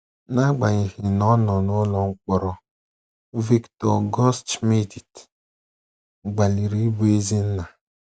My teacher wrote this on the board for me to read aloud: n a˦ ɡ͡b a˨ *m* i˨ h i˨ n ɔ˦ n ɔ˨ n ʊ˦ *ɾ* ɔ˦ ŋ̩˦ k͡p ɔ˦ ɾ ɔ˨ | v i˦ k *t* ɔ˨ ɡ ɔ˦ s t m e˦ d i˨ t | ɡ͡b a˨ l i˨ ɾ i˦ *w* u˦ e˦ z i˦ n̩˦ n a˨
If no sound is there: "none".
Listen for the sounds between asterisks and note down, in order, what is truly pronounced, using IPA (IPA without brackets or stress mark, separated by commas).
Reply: ɲ, l, t, b